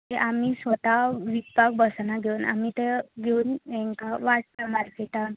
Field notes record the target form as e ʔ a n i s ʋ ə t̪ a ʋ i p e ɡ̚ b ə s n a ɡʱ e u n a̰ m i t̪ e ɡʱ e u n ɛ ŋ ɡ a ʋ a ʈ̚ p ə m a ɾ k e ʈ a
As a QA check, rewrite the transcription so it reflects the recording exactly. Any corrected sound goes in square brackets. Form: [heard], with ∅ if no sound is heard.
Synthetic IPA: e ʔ a [m] i s ʋ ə t̪ a ʋ i p [a] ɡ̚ b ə s n a ɡʱ e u n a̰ m i t̪ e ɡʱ e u n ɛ ŋ [k] a ʋ a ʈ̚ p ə m a ɾ k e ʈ a